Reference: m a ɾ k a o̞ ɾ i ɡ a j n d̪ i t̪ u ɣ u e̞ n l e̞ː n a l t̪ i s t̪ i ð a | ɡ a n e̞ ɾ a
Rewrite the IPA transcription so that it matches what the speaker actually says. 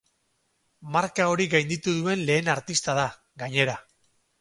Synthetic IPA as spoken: m a ɾ k a o̞ ɾ i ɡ a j n d̪ i t̪ u ð u e̞ n l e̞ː n a ɾ t̪ i s t̪ a ð a | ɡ a ɲ e̞ ɾ a